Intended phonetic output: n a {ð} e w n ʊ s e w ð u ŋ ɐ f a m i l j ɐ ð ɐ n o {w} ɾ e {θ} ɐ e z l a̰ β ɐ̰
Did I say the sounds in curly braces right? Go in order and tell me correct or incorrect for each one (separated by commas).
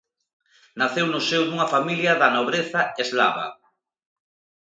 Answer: incorrect, incorrect, correct